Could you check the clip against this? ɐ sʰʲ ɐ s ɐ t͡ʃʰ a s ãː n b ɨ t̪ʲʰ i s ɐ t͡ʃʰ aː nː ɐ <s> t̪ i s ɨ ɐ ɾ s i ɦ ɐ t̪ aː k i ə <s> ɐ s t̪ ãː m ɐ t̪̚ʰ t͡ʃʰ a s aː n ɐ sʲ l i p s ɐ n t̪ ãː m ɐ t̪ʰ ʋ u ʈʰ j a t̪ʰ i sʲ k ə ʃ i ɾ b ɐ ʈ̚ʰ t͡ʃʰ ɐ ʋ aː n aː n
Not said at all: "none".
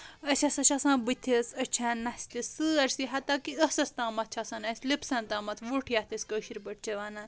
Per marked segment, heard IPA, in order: s, s

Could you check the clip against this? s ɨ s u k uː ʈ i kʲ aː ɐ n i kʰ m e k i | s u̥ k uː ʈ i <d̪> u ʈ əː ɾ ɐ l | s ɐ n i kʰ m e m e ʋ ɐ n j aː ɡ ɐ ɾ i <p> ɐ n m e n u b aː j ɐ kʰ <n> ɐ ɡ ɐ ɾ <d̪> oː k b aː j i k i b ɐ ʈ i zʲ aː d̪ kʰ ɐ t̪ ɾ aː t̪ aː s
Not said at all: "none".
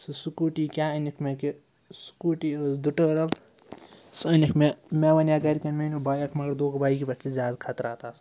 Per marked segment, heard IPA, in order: d̪, k, m, d̪

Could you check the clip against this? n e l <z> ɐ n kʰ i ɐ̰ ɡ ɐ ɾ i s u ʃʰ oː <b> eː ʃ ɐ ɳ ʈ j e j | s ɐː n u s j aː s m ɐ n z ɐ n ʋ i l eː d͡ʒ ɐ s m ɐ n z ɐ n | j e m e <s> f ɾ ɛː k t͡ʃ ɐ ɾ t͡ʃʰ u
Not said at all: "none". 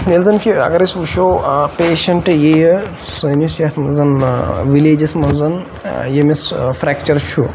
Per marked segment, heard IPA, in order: z, p, s

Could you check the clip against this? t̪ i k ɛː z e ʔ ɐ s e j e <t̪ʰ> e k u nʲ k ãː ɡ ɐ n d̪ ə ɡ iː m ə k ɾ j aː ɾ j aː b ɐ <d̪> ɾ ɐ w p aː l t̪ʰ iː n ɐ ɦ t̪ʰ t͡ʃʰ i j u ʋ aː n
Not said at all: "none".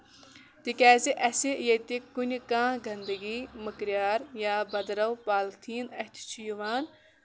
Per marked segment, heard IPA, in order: t̪, d̪

